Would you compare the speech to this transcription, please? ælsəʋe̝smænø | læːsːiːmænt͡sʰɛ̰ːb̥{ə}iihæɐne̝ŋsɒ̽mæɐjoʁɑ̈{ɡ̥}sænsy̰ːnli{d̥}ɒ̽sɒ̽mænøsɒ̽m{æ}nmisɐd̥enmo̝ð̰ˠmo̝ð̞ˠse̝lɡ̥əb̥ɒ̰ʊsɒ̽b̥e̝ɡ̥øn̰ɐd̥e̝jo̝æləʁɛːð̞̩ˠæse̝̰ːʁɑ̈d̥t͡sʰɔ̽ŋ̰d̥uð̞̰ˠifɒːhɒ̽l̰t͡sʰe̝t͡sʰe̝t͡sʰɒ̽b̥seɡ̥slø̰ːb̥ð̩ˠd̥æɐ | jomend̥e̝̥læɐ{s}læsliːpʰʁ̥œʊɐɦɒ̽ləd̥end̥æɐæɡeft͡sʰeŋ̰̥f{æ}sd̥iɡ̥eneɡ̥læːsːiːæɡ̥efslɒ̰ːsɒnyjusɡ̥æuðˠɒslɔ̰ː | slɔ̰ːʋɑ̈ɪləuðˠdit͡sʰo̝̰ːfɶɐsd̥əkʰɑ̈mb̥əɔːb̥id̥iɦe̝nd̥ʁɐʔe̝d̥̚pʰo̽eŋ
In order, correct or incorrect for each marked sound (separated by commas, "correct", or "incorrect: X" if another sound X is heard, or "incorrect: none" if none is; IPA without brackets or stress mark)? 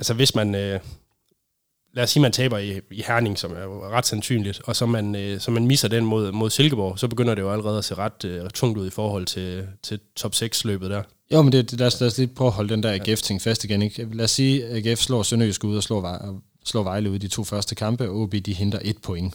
incorrect: ɐ, incorrect: d̥, correct, correct, correct, correct